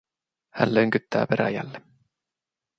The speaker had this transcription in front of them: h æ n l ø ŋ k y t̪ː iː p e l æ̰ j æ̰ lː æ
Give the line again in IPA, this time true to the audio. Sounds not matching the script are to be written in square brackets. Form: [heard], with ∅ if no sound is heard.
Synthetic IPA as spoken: h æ n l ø ŋ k y t̪ː [æː] p e [ɾ] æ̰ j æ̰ lː [e]